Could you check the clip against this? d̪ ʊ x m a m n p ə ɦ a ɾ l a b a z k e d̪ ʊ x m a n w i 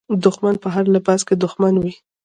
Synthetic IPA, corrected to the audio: d̪ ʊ x m a n p ə ɦ a ɾ l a b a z k e d̪ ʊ x m a n w i